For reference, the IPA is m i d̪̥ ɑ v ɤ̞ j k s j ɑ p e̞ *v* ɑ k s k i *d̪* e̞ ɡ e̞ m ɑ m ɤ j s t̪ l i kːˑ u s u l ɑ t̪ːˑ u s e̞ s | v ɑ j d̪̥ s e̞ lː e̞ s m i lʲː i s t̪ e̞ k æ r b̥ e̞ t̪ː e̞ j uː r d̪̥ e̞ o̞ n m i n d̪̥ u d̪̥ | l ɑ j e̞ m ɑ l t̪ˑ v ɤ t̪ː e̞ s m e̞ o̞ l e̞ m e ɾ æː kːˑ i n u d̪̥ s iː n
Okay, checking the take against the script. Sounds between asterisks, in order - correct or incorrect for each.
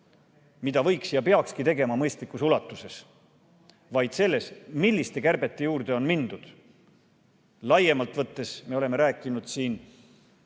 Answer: incorrect, incorrect

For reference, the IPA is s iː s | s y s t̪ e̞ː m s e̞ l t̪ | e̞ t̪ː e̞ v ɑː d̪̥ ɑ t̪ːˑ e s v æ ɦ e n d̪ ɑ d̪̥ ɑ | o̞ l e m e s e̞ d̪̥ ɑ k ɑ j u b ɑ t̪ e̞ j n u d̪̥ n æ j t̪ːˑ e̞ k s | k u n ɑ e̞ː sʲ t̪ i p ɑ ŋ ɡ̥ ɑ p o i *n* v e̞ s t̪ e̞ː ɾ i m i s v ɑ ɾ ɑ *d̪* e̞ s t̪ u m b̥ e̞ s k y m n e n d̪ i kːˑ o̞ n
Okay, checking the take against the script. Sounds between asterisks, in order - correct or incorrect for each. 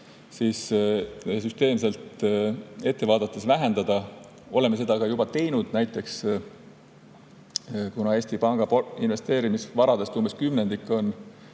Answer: correct, correct

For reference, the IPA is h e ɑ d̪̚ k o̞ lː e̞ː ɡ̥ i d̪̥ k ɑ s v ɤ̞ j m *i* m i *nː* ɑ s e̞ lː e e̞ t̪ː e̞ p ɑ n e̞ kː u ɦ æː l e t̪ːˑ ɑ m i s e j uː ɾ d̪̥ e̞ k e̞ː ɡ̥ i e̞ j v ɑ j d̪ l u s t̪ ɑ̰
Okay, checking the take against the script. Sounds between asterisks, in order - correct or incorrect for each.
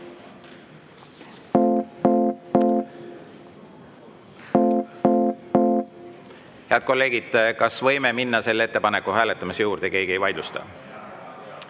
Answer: incorrect, correct

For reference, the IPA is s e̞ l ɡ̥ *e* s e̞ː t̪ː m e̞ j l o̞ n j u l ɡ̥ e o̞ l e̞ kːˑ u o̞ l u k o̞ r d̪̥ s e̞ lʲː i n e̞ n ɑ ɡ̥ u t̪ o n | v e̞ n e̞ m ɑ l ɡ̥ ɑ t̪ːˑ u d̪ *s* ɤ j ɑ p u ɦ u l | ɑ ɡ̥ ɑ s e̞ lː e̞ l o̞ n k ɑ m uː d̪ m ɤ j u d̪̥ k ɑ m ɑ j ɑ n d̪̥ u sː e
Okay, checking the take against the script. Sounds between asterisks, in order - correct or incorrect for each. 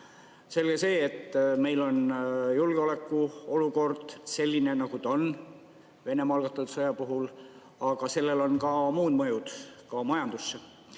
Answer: correct, correct

